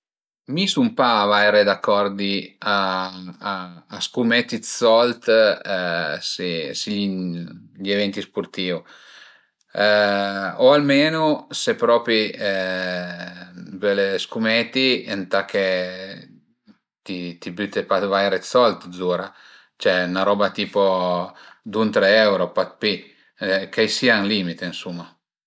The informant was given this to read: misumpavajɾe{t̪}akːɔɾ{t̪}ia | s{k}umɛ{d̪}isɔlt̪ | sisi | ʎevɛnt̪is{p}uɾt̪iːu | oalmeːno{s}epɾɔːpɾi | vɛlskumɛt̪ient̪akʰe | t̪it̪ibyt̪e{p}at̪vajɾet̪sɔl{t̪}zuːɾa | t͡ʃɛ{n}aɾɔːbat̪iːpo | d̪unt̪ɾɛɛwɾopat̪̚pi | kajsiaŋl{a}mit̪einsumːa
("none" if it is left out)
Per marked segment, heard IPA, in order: d̪, d̪, k, t̪, p, s, p, t̪, n, i

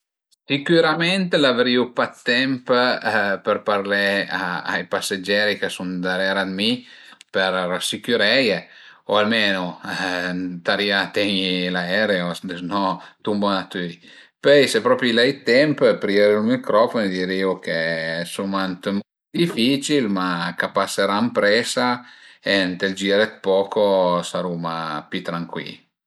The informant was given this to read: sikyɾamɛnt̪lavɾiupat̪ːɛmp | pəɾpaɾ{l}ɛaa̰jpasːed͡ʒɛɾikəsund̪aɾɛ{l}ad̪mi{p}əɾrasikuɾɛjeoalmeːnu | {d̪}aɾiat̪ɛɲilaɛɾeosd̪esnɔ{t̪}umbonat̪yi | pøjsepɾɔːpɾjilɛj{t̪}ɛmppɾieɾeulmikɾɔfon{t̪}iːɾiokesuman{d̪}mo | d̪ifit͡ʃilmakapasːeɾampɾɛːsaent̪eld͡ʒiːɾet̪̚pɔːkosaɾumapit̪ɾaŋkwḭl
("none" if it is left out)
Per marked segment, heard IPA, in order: l, ɾ, p, t̪, t̪, t̪, d̪, t̪

